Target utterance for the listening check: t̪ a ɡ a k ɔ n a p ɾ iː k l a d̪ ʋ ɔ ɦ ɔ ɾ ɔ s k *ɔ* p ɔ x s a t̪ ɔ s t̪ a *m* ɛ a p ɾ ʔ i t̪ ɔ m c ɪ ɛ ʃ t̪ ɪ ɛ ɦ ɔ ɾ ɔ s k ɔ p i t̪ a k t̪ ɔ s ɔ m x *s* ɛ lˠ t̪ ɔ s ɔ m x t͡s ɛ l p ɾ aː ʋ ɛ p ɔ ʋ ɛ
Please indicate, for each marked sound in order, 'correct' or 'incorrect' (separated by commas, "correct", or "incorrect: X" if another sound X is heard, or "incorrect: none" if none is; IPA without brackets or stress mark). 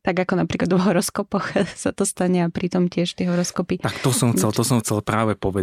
correct, incorrect: ɲ, incorrect: t͡s